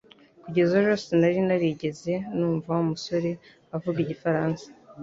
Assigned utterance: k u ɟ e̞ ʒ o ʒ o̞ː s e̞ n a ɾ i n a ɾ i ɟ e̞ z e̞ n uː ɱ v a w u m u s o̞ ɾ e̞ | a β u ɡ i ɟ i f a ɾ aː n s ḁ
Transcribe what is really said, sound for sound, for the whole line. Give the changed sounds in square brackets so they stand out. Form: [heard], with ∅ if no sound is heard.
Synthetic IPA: k u ɟ e̞ [z] o ʒ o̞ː s e̞ n a ɾ i n a ɾ i ɟ e̞ z e̞ n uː ɱ v a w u m u s o̞ ɾ e̞ | a [v] u ɡ i ɟ i f a ɾ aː n s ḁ